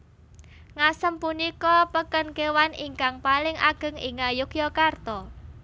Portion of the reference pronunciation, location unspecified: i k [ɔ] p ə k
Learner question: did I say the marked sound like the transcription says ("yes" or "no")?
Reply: yes